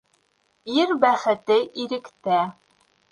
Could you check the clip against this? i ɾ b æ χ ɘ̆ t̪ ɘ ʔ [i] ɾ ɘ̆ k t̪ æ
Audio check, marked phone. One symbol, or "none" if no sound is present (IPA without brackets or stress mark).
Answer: i